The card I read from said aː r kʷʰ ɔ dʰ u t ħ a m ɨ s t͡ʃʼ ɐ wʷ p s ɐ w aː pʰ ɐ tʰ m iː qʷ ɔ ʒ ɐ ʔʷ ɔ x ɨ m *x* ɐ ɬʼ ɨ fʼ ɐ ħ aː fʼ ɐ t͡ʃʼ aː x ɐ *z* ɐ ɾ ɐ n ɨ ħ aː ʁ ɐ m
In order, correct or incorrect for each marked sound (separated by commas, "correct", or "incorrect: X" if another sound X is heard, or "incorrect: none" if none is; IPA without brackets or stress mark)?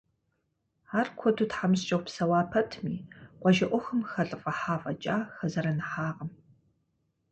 correct, correct